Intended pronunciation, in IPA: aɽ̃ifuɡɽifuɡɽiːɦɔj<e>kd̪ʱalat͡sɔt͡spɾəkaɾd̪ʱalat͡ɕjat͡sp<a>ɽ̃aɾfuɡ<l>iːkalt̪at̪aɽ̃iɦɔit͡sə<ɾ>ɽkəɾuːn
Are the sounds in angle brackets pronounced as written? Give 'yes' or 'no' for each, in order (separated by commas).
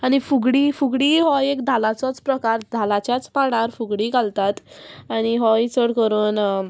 yes, yes, no, no